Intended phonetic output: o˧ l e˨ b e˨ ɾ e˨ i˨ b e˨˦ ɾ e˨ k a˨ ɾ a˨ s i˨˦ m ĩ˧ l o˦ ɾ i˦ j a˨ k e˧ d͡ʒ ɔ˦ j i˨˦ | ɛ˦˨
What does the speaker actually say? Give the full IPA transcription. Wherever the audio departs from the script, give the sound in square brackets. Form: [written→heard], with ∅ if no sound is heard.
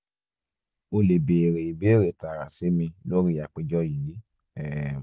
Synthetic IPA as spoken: o˧ l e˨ b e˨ ɾ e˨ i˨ b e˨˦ ɾ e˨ [k→t] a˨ ɾ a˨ s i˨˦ m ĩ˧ l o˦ ɾ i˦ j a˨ [k→k͡p] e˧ d͡ʒ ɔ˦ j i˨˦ | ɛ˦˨